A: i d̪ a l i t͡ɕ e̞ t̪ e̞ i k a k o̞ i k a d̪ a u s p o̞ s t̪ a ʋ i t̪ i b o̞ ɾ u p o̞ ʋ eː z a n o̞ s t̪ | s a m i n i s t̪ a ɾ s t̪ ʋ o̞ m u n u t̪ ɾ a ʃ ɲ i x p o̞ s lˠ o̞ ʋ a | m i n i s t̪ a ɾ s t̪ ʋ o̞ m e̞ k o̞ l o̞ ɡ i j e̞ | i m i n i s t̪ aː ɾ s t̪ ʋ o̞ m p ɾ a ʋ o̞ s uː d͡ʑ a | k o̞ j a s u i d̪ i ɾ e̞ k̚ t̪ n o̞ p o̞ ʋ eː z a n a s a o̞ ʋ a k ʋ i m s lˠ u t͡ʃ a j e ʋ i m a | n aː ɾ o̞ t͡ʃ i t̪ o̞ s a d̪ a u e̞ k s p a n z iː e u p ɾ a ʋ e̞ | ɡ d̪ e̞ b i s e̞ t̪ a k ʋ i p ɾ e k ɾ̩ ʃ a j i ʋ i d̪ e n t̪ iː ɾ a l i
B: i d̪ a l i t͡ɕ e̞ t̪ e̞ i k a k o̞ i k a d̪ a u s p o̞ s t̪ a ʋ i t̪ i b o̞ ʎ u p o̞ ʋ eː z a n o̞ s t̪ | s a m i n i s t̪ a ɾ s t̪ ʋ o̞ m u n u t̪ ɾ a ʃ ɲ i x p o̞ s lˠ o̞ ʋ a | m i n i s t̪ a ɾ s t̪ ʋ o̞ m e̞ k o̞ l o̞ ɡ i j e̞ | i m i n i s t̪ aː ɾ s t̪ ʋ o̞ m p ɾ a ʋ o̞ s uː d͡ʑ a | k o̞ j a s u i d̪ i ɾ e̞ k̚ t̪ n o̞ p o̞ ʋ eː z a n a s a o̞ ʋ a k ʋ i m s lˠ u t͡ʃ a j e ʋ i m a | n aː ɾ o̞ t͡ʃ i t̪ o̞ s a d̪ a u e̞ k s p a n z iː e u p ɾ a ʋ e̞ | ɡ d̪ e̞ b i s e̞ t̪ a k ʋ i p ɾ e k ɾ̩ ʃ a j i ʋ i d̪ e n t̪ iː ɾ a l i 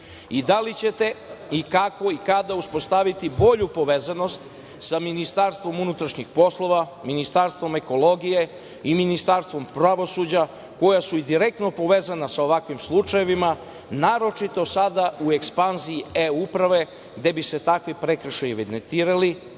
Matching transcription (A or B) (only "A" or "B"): B